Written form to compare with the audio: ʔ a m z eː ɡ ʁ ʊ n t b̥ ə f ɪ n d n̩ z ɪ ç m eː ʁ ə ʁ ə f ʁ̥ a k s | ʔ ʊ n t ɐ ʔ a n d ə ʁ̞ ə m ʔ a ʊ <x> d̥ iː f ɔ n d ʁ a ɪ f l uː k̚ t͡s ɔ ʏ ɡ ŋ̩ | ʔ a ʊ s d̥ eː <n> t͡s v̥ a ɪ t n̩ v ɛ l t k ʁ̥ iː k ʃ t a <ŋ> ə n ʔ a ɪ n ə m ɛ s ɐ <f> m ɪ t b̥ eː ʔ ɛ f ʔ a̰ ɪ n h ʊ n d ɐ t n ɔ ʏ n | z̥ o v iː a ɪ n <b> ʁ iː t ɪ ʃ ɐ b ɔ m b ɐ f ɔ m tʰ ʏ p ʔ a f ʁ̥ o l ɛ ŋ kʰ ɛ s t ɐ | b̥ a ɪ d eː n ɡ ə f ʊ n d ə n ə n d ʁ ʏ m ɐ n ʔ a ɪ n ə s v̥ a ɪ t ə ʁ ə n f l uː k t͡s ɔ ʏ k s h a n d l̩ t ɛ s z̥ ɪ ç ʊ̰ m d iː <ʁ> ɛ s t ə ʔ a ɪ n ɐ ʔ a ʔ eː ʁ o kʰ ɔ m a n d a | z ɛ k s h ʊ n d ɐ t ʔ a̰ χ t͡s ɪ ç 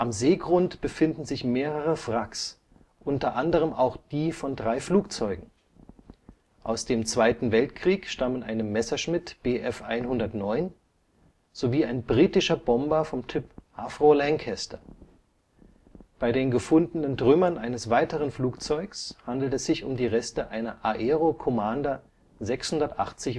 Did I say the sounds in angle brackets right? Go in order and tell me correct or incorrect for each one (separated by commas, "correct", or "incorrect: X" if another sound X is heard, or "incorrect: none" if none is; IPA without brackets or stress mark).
correct, incorrect: m, incorrect: m, incorrect: ʃ, correct, correct